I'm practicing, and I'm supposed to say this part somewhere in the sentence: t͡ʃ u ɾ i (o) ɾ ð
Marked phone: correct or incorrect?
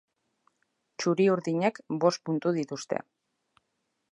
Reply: incorrect: u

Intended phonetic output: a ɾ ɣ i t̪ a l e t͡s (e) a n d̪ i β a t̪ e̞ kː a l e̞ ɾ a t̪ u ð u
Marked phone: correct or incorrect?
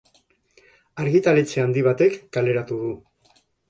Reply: correct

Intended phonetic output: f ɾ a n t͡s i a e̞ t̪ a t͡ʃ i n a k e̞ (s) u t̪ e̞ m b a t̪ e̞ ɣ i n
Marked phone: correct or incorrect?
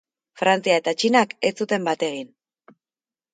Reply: incorrect: t͡s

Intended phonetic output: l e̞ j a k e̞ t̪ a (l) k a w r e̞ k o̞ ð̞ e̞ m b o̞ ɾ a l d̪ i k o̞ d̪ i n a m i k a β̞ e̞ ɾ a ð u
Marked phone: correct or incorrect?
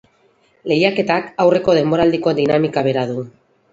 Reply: incorrect: none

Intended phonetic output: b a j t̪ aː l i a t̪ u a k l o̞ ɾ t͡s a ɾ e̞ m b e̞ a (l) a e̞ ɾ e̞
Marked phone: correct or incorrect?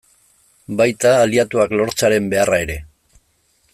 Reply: incorrect: r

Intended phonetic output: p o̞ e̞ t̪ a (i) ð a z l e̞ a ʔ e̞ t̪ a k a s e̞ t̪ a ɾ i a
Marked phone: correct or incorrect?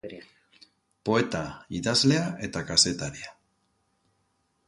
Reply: correct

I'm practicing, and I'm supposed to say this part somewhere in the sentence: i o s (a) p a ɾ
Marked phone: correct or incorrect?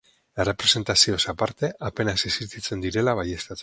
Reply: correct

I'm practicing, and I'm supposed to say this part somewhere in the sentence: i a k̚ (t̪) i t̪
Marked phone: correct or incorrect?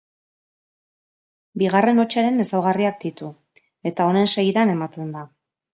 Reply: incorrect: d̪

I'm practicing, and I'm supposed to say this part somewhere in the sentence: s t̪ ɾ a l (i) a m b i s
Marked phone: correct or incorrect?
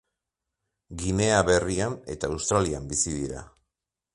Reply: correct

